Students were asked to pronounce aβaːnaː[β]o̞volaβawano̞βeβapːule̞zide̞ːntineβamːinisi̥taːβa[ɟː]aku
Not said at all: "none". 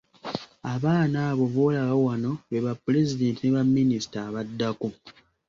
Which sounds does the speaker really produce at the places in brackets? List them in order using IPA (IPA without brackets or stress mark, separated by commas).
β, dː